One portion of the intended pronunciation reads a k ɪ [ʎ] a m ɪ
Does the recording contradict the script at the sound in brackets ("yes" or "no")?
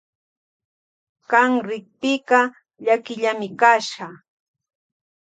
no